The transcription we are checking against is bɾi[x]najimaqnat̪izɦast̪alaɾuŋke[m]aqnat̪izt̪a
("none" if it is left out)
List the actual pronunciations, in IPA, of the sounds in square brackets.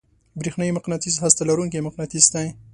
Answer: x, m

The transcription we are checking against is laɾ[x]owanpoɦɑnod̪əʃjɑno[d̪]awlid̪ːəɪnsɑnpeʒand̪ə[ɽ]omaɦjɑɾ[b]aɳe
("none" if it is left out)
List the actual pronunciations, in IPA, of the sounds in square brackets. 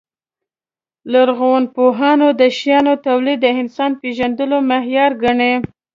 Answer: ɣ, t̪, l, ɡ

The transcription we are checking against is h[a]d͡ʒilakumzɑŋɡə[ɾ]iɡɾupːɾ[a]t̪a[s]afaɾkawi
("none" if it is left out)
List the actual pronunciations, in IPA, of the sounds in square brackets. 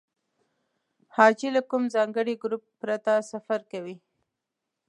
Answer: ɑ, ɽ, a, s

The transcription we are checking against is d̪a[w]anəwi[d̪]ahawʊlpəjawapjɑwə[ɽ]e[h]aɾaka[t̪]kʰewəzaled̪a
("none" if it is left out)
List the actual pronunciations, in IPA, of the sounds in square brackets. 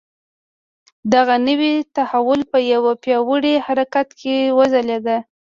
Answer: ɣ, t̪, ɽ, h, t̪

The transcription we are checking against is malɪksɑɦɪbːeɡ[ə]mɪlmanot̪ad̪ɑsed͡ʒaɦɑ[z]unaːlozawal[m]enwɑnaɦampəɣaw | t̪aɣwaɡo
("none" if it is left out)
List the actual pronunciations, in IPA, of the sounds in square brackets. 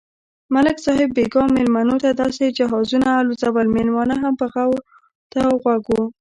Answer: ɑ, z, m

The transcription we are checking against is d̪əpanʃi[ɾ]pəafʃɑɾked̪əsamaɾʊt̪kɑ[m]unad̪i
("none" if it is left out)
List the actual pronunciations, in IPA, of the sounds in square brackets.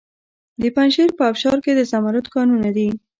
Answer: ɾ, n

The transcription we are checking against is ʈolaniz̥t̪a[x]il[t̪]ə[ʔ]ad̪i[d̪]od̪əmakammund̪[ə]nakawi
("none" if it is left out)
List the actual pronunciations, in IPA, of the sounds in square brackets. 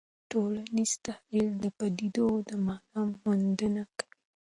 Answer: h, d̪, p, d̪, ə

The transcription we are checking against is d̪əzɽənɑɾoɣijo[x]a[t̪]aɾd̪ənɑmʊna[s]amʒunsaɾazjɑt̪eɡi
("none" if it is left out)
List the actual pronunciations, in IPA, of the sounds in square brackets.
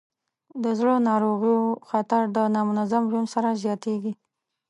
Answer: x, t̪, z

